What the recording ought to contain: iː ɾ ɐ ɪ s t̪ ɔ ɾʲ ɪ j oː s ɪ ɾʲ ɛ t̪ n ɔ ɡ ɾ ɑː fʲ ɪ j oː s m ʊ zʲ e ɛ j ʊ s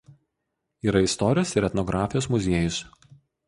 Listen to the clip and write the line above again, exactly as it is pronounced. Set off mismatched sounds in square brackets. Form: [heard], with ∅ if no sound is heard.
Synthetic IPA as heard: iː ɾ ɐ ɪ s t̪ ɔ ɾʲ ɪ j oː s ɪ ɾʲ ɛ t̪ n ɔ ɡ ɾ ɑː fʲ ɪ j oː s m ʊ zʲ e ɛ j ʊ s